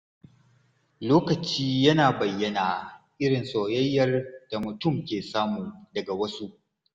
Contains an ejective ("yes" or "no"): no